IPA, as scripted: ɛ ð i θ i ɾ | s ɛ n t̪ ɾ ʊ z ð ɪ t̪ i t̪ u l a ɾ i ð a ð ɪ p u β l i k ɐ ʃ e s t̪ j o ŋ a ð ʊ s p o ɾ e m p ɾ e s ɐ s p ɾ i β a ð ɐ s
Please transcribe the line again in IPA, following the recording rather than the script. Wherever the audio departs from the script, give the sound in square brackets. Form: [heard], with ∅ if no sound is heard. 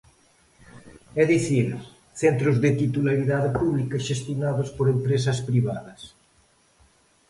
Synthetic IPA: ɛ ð i θ i ɾ | [θ] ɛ n t̪ ɾ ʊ z ð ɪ t̪ i t̪ u l a ɾ i ð a ð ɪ p u β l i k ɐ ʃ e s t̪ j o [n] a ð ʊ s p o ɾ e m p ɾ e s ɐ s p ɾ i β a ð ɐ s